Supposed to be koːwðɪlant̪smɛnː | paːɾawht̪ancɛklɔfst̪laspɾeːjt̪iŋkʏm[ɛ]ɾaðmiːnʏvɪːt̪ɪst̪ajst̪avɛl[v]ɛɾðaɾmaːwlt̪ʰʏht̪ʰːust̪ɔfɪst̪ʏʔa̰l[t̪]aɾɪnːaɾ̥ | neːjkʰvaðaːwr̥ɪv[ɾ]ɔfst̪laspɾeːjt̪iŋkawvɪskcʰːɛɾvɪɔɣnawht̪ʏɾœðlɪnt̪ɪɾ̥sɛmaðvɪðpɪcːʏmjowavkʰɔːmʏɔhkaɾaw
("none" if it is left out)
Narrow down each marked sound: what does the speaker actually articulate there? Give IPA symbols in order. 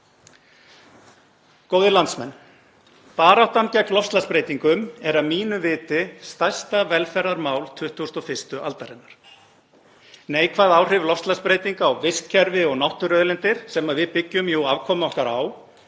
ɛ, f, t̪, l

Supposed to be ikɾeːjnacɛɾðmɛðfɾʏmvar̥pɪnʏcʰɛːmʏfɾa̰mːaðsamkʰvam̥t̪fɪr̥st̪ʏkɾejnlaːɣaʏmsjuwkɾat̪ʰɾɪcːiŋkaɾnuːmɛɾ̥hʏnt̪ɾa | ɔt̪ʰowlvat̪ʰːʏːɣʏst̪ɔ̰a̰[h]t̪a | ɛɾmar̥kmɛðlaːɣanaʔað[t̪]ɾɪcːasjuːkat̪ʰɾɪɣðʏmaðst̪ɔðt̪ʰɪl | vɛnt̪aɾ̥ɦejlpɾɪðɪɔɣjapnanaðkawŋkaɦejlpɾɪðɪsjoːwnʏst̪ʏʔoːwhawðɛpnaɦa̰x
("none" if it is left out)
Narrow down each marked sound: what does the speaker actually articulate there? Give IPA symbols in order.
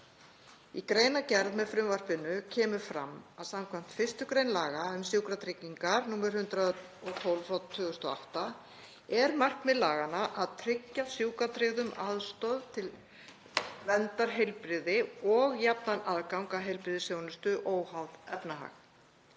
h, t̪ʰ

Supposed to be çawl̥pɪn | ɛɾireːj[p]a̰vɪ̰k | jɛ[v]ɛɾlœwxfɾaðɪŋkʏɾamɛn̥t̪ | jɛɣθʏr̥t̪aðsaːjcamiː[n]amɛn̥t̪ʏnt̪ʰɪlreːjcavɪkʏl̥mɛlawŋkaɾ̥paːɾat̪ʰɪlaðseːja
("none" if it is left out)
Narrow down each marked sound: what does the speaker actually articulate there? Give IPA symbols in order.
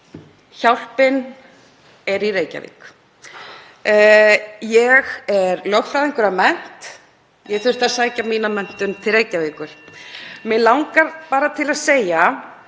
c, ɣ, n

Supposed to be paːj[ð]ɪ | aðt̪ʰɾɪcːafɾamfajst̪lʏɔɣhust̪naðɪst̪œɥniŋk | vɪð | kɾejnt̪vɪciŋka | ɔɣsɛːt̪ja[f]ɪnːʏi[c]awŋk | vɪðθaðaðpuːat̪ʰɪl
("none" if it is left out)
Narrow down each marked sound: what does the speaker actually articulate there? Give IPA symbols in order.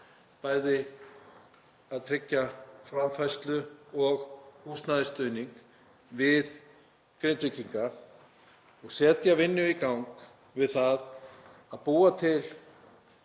ð, v, k

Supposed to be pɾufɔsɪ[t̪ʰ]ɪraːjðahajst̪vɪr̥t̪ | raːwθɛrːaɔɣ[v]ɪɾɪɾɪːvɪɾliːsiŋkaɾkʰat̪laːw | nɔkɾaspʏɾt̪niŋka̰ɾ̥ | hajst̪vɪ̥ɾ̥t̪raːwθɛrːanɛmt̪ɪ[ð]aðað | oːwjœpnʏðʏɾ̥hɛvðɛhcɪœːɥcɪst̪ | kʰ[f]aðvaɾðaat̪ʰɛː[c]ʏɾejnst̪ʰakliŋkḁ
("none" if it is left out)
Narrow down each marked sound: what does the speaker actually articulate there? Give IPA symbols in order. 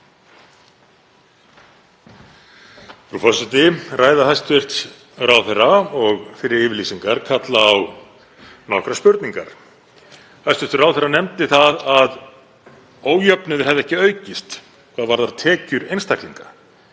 t̪, f, θ, v, c

